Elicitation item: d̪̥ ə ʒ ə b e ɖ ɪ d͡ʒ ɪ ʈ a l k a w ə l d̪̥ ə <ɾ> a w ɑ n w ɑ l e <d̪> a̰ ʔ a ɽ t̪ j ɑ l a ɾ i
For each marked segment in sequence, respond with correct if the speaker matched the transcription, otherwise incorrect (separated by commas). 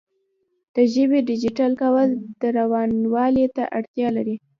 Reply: correct, incorrect